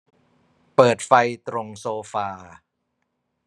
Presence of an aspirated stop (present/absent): absent